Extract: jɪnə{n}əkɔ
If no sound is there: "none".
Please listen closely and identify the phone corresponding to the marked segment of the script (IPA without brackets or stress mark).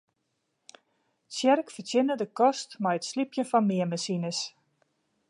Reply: d